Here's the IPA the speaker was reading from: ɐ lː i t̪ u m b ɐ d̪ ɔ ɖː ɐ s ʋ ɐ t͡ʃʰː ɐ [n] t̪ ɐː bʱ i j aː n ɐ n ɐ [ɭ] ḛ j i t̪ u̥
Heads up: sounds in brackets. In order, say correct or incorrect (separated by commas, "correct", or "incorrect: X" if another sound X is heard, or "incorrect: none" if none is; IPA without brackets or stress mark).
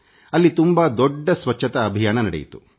incorrect: none, incorrect: ɽ